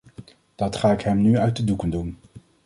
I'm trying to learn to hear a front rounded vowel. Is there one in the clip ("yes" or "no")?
yes